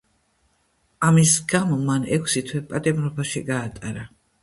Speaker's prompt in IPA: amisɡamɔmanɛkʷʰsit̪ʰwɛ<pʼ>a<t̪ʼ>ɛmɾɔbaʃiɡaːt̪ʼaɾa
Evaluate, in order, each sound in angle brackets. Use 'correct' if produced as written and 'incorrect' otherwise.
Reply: correct, correct

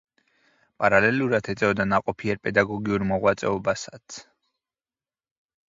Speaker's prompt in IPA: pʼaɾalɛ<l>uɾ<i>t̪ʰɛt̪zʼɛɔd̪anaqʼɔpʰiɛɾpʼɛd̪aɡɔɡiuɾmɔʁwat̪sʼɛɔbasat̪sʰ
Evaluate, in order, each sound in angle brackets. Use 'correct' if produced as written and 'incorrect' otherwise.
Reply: correct, incorrect

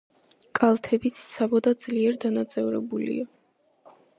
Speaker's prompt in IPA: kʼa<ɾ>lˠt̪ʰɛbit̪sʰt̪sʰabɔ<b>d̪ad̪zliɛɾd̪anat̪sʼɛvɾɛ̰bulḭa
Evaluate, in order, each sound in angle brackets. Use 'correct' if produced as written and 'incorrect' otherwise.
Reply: incorrect, incorrect

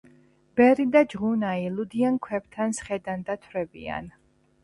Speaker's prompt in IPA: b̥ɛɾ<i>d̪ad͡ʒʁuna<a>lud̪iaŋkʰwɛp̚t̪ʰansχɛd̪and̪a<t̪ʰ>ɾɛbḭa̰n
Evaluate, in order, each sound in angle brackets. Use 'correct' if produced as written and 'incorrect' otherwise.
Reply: correct, incorrect, correct

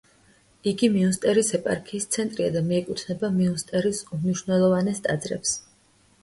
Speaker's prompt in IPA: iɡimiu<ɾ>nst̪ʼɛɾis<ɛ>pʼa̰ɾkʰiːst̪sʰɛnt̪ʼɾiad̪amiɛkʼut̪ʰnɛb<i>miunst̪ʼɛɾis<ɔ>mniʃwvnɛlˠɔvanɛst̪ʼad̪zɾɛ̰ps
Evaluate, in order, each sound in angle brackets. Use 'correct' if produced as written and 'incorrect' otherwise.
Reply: incorrect, correct, incorrect, incorrect

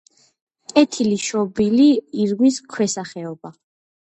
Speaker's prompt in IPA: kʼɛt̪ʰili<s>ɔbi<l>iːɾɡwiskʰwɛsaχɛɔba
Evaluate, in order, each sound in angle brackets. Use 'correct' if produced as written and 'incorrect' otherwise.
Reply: incorrect, correct

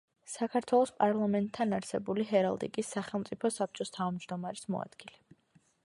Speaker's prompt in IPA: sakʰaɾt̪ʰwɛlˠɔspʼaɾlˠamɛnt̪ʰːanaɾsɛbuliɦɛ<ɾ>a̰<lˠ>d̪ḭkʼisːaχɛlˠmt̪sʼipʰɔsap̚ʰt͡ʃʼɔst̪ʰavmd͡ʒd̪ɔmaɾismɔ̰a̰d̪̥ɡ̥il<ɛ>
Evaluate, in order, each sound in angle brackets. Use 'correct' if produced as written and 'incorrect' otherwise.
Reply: correct, correct, correct

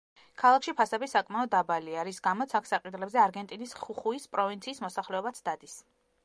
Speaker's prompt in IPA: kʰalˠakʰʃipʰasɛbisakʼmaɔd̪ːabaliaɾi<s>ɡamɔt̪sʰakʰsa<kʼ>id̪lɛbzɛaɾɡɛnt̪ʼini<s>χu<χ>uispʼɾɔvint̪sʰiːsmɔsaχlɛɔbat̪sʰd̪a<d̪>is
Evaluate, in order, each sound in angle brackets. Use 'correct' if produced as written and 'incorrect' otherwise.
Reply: correct, incorrect, correct, correct, correct

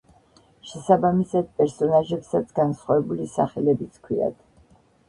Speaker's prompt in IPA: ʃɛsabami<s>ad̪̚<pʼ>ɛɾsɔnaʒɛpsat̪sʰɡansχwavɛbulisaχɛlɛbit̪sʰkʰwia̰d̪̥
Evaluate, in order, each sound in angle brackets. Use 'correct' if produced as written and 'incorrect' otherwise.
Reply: correct, correct

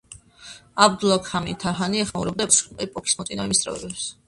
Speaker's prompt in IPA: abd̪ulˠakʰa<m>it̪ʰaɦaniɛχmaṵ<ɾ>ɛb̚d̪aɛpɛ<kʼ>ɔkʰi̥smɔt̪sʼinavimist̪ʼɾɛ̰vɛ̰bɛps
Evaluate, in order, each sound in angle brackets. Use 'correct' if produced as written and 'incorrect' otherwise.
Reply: correct, correct, incorrect

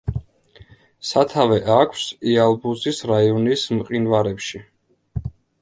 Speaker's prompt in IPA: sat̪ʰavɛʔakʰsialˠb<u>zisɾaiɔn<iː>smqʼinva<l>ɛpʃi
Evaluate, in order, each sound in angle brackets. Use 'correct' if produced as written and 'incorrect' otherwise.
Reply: correct, incorrect, incorrect

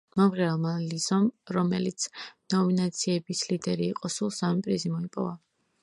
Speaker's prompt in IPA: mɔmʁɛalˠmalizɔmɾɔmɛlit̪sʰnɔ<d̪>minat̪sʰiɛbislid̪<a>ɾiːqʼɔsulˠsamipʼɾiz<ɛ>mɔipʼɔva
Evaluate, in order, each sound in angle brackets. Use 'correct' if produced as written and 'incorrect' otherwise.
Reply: incorrect, incorrect, incorrect

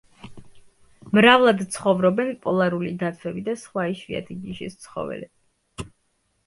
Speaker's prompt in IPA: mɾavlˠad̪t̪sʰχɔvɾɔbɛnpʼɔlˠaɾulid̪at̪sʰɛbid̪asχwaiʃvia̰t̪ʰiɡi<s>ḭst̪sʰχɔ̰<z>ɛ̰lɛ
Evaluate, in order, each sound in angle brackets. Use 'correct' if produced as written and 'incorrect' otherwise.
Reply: incorrect, incorrect

